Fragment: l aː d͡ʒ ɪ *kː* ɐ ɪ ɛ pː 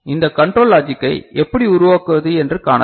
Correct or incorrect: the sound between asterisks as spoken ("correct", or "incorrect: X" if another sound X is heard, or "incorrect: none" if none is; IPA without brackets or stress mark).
correct